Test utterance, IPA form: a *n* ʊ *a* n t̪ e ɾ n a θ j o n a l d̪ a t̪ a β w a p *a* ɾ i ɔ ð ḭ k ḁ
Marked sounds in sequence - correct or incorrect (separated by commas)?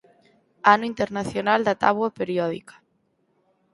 correct, incorrect, incorrect